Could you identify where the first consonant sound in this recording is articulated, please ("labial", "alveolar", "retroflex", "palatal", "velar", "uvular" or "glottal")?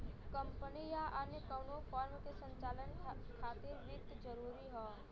velar